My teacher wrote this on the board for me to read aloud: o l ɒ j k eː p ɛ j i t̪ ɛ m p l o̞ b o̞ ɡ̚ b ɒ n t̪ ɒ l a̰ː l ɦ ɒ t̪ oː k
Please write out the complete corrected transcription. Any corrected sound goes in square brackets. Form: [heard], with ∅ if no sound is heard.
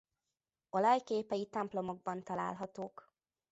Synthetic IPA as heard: o l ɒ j k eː p ɛ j i t̪ ɛ m p l o̞ [m] o̞ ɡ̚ b ɒ n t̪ ɒ l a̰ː l ɦ ɒ t̪ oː k